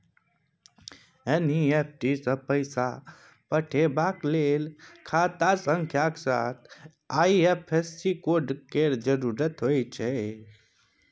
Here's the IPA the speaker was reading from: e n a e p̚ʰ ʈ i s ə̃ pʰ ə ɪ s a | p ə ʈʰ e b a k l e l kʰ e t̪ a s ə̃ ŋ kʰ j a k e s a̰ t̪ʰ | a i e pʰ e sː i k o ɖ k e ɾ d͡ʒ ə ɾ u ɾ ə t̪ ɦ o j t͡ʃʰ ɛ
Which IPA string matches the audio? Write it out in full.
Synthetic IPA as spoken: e n i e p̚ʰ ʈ i s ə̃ p ə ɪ s a | p ə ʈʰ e b a k l e l kʰ a t̪ a s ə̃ ŋ kʰ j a k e s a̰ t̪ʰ | a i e pʰ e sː i k o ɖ k e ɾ d͡ʒ ə ɾ u ɾ ə t̪ ɦ o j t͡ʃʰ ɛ

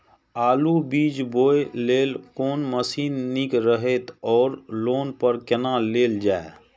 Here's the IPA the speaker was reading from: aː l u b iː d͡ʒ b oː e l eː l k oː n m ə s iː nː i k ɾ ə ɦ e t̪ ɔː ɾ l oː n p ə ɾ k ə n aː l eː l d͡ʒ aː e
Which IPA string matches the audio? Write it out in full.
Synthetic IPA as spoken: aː l u b iː d͡ʒ b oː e l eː l k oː n m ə s iː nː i k ɾ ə ɦ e t̪ ɔː ɾ l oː n p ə ɾ k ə n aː l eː l d͡ʒ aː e

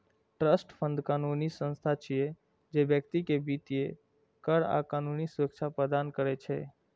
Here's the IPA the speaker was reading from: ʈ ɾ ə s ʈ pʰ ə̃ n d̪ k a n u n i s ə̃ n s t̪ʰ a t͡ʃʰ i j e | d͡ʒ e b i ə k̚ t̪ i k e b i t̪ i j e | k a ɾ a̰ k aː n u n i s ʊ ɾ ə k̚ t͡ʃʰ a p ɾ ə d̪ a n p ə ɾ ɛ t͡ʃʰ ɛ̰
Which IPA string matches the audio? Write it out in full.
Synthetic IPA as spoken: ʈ ɾ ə s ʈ pʰ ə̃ n d̪ k a n u n i s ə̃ n s t̪ʰ a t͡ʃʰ i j e | d͡ʒ e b j ə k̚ t̪ i k e b i t̪ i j e | k ə ɾ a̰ k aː n u n i s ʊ ɾ ə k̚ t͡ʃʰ a p ɾ ə d̪ a n k ə ɾ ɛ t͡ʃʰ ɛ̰

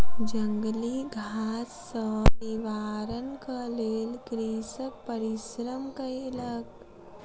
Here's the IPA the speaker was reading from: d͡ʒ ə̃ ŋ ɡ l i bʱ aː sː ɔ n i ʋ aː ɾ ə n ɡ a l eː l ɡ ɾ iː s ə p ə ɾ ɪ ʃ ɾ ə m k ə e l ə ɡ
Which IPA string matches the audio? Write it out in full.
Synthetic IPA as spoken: d͡ʒ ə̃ ŋ ɡ l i ɡʱ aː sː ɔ n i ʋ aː ɾ ə n k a l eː l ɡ ɾ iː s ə p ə ɾ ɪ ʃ ɾ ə m k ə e l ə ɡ

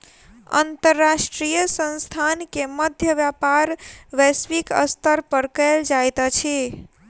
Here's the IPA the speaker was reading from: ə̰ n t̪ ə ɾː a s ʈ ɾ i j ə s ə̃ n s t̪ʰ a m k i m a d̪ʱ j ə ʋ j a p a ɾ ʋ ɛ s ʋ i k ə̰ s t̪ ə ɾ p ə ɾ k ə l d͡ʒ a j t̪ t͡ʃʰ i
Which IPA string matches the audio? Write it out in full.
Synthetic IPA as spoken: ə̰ n t̪ ə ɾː a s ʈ ɾ i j ə s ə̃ n s t̪ʰ a n k e m ə d̪ʱ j ə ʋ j a p a ɾ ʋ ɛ s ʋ i k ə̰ s t̪ ə ɾ p ə ɾ k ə l d͡ʒ a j t̪ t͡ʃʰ i

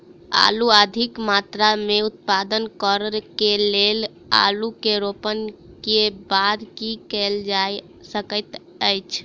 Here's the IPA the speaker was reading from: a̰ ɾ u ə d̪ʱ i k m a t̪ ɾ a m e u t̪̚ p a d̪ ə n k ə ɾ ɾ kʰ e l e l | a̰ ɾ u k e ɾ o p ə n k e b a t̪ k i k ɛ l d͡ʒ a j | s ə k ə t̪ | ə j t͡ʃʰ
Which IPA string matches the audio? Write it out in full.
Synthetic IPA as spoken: a̰ l u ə d̪ʱ i k m a t̪ ɾ a m e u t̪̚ p a d̪ ə n k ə ɾ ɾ k e l e l | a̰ l u k e ɾ o p ə n k e b a d̪ k i k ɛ l d͡ʒ a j | s ə k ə t̪ | ə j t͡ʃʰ

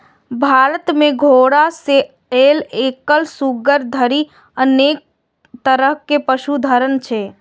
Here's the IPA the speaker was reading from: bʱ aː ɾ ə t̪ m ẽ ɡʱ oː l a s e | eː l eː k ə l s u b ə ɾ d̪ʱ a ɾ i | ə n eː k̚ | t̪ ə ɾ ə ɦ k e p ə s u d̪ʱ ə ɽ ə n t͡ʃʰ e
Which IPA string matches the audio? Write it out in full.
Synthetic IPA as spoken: bʱ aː ɾ ə t̪ m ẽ ɡʱ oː ɽ a s e | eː l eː k ə l s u ɡ ə ɾ d̪ʱ ə ɾ i | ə n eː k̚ | t̪ ə ɾ ə ɦ k e p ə ʃ u d̪ʱ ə ɾ ə n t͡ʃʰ e

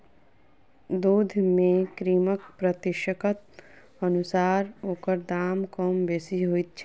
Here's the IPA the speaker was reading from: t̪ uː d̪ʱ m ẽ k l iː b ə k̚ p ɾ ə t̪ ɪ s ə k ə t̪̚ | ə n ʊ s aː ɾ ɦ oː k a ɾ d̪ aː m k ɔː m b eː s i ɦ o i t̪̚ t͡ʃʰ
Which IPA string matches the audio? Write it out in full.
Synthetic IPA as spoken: d̪ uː d̪ʱ m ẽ k ɾ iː m ə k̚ p ɾ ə t̪ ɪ ʃ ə k ə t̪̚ | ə n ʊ s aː ɾ ɦ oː k ə ɾ d̪ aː m k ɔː m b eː s i ɦ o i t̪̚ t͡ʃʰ

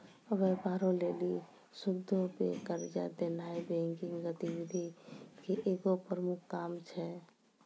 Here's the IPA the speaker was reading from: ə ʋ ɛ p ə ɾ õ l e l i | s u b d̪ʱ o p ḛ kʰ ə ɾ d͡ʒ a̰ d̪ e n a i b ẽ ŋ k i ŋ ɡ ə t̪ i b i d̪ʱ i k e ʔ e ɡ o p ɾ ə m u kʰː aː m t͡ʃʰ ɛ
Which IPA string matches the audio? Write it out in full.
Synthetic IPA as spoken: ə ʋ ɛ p a ɾ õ l e l i | s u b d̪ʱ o p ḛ k ə ɾ d͡ʒ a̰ d̪ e n a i b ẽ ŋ k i ŋ ɡ ə t̪ i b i d̪ʱ i k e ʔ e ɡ o p ɾ ə m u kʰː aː m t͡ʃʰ ɛ

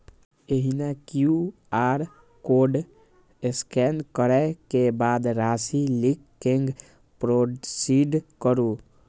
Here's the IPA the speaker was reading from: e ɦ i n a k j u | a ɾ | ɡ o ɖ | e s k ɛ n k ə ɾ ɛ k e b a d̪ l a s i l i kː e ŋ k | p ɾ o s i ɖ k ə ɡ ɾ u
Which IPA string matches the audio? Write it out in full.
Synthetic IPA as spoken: e ɦ i n a k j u | a ɾ | k o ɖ | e s k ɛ n k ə ɾ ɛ k e b a d̪ ɾ a s i l i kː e ŋ ɡ | p ɾ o s i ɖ k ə ɾ u

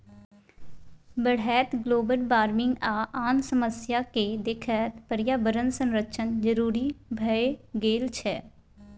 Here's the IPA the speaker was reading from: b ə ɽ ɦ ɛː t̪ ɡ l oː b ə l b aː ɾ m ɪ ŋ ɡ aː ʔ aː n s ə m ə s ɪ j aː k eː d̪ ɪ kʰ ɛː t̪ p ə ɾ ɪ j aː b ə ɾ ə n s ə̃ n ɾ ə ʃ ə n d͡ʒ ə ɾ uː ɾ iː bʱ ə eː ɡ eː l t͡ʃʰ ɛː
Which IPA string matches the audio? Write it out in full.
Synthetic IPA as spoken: b ə ɽ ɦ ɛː t̪ ɡ l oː b ə l b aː ɾ m ɪ ŋ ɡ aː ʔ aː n s ə m ə s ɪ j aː k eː d̪ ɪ kʰ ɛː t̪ p ə ɾ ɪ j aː b ə ɾ ə n s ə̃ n ɾ ə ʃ ə n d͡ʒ ə ɾ uː ɾ iː bʱ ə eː ɡ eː l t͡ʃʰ ɛː

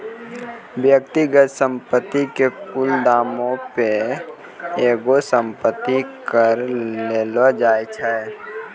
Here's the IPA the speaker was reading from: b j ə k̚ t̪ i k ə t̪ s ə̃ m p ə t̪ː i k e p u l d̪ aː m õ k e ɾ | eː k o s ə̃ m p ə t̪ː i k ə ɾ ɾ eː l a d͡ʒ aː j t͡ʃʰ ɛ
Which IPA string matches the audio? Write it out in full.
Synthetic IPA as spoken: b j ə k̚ t̪ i ɡ ə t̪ s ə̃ m p ə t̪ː i k e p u l d̪ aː m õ p e | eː ɡ o s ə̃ m p ə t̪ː i k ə ɾ l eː l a d͡ʒ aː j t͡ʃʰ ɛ

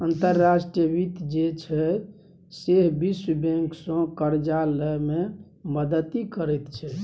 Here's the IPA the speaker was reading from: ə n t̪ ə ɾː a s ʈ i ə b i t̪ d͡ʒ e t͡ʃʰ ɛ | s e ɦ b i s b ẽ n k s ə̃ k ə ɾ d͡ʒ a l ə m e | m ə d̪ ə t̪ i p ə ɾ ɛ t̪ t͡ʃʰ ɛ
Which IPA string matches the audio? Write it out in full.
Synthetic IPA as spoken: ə n t̪ ə ɾː a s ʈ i ə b i t̪ d͡ʒ e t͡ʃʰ ɛ | s e ɦ b i s b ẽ ŋ k s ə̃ k ə ɾ d͡ʒ a l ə m e | m ə d̪ ə t̪ i k ə ɾ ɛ t̪ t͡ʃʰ ɛ

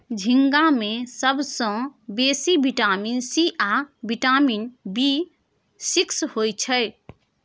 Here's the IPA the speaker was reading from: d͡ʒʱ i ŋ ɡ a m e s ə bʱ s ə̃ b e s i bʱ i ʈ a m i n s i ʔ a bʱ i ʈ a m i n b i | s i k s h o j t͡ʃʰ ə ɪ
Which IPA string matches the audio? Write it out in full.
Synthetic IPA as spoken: d͡ʒʱ i ŋ ɡ a m e s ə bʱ s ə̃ b e s i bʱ i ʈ a m i n s i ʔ a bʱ i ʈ a m i n b i | s i k s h o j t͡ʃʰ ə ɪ

